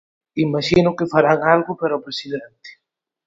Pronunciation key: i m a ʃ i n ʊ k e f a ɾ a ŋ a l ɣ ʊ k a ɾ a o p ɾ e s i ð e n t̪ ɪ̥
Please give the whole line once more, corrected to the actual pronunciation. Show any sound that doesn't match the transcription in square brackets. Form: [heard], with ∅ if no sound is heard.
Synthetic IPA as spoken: i m a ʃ i n ʊ k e f a ɾ a ŋ a l ɣ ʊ [p] a ɾ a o p ɾ e s i ð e n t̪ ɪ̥